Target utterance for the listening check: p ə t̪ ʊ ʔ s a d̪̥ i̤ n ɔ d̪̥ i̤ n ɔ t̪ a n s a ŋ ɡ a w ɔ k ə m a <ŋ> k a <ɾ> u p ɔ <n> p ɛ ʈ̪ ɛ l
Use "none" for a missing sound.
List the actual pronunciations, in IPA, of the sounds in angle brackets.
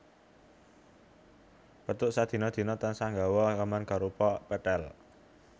n, ɾ, none

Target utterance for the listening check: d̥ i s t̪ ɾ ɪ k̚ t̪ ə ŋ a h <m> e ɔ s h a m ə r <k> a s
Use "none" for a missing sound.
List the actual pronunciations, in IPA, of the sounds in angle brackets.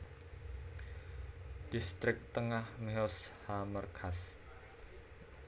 m, kʰ

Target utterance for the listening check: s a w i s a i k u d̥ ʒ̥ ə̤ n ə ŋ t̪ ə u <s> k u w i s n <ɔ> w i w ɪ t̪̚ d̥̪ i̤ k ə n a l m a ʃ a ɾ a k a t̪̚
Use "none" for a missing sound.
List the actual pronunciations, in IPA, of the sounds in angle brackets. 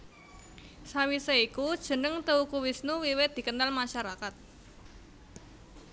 none, u

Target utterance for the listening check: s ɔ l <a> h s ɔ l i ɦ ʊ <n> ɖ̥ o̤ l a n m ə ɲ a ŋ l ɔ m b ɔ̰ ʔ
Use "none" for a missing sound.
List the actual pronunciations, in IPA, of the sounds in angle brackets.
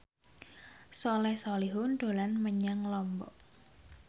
ɛ, n

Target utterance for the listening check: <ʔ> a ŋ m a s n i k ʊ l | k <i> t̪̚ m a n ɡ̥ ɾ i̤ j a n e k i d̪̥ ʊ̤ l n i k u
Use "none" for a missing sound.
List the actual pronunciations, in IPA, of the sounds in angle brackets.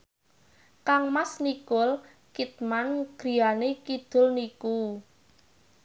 k, i

